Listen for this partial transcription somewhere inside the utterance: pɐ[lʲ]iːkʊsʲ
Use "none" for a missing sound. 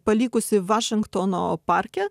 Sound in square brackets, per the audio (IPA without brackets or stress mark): lʲ